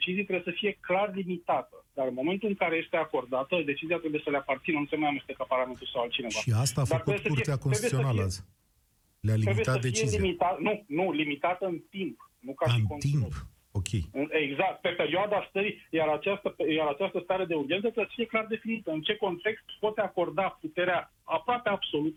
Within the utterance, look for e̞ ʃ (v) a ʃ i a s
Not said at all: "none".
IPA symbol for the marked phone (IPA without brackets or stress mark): v